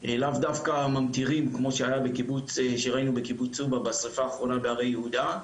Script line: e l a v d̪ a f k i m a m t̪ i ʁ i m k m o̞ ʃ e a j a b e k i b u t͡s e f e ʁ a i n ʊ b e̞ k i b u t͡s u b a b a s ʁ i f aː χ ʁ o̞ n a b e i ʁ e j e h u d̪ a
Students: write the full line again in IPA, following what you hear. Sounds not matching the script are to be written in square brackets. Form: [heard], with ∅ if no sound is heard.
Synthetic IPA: e l a v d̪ a f k [a] m a m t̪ i ʁ i m k m o̞ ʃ e a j a b e k i b u t͡s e [ʃ] e ʁ a i n [u] b e̞ k i b u t͡s u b a b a s ʁ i f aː χ ʁ o̞ n a b e [a] ʁ e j e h u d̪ a